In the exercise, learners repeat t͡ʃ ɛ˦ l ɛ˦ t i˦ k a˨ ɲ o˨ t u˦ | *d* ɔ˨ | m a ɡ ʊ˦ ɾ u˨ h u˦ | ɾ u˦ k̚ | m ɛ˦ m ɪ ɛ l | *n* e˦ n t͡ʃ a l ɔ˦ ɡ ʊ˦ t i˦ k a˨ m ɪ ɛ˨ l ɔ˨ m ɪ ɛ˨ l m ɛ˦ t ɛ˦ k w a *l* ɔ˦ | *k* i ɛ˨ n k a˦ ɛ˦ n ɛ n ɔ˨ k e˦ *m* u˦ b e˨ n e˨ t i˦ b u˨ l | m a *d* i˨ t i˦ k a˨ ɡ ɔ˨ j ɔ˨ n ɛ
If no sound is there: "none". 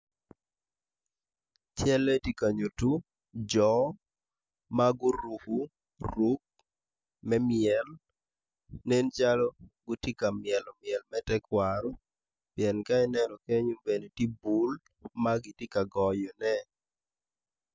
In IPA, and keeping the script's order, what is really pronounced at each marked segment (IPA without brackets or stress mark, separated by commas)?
d͡ʒ, n, ɾ, p, ɲ, ɡ